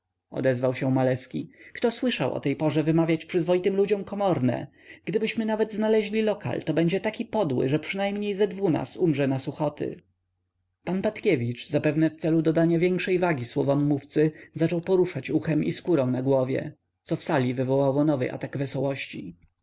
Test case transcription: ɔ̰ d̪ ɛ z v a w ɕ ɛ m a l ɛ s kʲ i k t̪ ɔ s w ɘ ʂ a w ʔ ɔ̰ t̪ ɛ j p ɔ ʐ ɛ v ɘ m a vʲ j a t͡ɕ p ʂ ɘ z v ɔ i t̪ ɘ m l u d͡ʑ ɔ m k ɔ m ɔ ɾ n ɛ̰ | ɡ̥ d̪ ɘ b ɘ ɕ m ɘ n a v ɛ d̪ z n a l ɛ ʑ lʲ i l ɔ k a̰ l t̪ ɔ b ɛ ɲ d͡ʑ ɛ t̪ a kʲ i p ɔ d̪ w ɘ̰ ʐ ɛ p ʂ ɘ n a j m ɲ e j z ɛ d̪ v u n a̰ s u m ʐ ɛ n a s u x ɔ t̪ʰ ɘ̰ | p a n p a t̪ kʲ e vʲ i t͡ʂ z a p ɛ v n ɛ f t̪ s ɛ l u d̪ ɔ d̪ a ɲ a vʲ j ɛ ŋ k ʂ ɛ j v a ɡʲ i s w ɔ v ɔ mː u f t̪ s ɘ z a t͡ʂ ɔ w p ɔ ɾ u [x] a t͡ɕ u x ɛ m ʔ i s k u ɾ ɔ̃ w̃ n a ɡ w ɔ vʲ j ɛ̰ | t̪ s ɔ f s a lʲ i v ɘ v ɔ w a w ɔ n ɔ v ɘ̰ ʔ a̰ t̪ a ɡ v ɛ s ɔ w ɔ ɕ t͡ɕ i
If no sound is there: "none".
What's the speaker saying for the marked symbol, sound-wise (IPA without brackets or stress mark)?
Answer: ʂ